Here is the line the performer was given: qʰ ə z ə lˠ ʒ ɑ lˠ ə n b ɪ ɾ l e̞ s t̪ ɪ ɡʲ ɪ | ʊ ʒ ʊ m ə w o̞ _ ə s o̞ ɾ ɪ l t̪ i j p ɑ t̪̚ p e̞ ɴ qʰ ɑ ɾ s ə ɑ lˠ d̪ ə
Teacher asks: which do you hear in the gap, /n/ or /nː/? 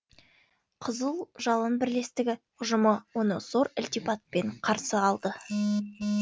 n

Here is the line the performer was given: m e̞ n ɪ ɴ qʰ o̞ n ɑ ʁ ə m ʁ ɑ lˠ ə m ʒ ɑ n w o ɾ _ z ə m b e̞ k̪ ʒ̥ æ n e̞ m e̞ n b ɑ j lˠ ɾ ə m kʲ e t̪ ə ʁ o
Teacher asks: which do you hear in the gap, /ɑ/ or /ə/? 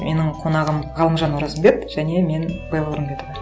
ɑ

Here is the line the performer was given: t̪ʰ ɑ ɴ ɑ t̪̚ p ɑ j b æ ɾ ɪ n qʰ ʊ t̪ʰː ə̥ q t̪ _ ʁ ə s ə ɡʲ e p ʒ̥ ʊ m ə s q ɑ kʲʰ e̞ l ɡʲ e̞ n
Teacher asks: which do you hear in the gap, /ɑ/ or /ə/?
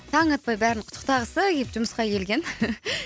ɑ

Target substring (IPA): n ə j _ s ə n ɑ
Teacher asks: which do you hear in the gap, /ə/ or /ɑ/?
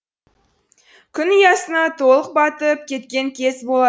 ɑ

